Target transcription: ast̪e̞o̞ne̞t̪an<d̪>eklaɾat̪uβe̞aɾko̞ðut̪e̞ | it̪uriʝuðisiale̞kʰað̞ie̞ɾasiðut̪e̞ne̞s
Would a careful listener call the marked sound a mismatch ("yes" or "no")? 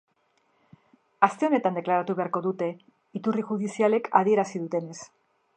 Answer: no